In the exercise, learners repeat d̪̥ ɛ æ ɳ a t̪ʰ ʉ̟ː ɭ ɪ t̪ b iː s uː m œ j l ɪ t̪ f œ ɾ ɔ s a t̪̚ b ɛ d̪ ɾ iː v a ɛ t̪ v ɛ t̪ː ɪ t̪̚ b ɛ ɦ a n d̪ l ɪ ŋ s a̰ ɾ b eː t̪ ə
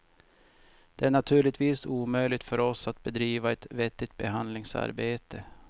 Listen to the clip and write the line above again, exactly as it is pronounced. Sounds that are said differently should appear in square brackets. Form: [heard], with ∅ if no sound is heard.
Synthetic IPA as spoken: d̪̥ ɛ æ ɳ a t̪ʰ ʉ̟ː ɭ ɪ t̪ [v] iː s uː m œ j l ɪ t̪ f œ ɾ ɔ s a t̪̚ b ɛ d̪ ɾ iː v a ɛ t̪ v ɛ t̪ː ɪ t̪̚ b ɛ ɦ a n d̪ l ɪ ŋ s a̰ ɾ b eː t̪ ə